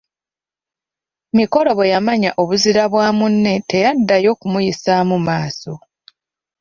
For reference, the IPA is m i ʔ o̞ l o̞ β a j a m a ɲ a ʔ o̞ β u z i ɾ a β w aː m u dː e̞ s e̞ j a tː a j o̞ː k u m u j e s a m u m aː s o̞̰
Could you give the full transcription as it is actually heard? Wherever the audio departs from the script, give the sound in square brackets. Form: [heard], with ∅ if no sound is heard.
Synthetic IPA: m i [k] o̞ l o̞ β [e] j a m a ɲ a ʔ o̞ β u z i ɾ a β w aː m u [nː] e̞ [t] e̞ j a [dː] a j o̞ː k u m u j [i] s a m u m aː s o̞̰